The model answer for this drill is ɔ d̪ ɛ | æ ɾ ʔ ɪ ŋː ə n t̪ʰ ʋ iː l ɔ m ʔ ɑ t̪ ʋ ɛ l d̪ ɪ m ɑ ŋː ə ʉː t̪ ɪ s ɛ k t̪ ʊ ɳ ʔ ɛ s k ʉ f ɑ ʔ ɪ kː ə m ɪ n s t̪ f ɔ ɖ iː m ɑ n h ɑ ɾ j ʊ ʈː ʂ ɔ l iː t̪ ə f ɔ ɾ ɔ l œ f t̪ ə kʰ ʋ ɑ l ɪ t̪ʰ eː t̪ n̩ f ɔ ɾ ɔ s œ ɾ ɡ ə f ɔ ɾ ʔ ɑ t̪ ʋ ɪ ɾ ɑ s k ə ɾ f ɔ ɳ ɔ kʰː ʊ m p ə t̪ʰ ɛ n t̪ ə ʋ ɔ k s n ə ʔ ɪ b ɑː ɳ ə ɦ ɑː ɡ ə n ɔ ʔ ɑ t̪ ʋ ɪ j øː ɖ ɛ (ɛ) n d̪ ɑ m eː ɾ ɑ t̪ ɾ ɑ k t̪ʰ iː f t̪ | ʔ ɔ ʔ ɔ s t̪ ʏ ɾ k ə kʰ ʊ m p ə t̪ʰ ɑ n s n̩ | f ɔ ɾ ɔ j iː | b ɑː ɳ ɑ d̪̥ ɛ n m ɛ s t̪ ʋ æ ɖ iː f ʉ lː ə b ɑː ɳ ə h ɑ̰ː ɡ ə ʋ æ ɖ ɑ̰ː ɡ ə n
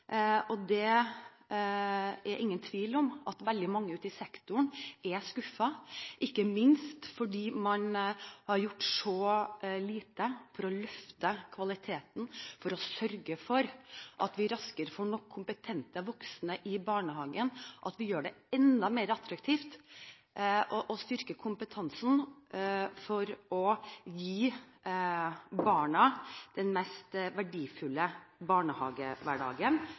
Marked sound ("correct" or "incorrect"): correct